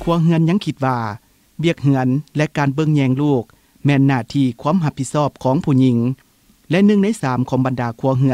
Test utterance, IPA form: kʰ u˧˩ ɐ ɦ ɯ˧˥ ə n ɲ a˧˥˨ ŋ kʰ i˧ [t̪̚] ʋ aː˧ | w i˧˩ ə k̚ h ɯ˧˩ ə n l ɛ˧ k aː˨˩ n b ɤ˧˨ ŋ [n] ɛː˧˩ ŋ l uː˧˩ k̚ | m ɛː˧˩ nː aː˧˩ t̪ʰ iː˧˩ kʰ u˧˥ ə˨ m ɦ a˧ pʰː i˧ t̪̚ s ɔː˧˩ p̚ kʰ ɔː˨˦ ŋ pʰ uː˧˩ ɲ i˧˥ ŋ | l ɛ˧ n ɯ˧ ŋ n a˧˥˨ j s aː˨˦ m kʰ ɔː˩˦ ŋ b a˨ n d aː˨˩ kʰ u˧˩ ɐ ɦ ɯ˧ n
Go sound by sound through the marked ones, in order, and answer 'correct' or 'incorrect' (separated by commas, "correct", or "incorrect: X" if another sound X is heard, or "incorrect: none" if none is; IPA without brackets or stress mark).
correct, incorrect: ɲ